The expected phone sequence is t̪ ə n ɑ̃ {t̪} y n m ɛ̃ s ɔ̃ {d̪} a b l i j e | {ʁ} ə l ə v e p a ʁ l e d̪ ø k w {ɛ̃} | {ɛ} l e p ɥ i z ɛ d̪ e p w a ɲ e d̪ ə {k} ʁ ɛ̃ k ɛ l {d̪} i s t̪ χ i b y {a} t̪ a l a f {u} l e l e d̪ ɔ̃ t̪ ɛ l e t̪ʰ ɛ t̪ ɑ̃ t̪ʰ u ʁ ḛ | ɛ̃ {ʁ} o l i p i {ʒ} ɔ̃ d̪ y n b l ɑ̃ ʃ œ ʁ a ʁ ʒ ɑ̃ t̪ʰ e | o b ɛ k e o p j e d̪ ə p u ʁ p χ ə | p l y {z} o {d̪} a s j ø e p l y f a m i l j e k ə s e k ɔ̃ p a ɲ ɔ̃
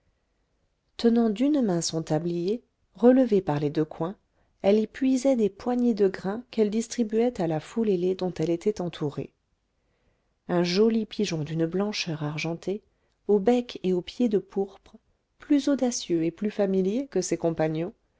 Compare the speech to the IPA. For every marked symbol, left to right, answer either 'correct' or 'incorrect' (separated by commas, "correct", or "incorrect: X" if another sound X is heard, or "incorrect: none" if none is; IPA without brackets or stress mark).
incorrect: d̪, incorrect: t̪, correct, correct, correct, incorrect: ɡ, correct, incorrect: ɛ, correct, incorrect: ʒ, correct, correct, correct